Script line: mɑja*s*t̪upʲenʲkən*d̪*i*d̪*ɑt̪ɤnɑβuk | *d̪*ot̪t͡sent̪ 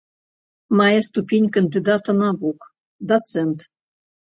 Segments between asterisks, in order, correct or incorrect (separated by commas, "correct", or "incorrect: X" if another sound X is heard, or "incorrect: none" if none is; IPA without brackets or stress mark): correct, correct, correct, correct